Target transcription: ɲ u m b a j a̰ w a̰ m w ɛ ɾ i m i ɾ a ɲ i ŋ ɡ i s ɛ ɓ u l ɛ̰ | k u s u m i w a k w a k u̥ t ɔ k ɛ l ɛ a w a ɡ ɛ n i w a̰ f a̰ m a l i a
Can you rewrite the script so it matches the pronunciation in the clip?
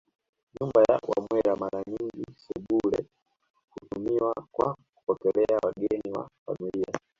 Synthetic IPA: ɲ u m b a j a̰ w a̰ m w ɛ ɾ a m a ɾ a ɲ i ŋ ɡ i s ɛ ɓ u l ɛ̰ | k u t u m i w a k w a k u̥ p ɔ k ɛ l ɛ a w a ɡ ɛ n i w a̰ f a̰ m i l i a